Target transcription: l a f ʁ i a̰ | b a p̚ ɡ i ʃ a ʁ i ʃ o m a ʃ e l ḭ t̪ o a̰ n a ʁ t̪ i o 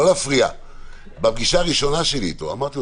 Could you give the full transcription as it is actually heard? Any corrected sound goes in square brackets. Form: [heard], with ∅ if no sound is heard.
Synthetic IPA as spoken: l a f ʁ i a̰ | b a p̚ ɡ i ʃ a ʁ i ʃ o [n] a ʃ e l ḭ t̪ o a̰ [m] a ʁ t̪ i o